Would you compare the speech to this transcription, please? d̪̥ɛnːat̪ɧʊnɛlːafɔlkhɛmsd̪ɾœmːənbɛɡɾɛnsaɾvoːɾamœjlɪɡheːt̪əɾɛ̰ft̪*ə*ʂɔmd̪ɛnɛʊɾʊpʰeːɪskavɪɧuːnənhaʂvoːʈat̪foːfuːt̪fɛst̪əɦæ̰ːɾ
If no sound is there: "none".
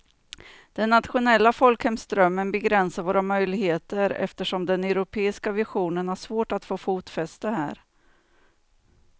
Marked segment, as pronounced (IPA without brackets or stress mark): ə